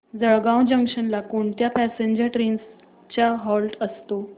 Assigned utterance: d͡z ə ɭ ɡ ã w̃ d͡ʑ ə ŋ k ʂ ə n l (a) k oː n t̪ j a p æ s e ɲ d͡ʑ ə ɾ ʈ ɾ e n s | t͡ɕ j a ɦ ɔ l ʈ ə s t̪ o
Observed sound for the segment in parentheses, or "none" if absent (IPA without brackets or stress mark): a